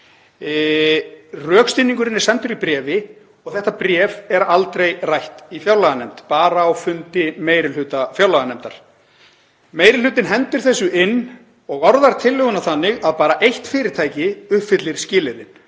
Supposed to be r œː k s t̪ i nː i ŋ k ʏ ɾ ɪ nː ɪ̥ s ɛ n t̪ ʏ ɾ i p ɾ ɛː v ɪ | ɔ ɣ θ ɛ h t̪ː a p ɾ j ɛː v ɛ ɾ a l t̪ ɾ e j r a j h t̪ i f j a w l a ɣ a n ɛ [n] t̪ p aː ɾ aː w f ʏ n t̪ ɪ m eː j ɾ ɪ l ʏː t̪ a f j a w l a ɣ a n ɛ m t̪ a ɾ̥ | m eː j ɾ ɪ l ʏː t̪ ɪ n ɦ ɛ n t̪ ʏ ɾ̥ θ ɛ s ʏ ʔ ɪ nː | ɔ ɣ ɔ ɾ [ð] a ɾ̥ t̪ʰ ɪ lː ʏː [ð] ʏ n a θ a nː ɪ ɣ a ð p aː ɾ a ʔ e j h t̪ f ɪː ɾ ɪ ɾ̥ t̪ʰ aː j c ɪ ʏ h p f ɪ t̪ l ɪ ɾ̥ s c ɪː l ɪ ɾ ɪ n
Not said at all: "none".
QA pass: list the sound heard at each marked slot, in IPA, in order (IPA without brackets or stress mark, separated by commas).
m, ð, ɣ